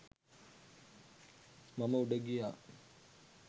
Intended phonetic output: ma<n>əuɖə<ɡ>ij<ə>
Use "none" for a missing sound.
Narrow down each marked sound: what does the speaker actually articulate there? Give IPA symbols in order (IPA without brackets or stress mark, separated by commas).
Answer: m, ɡ, a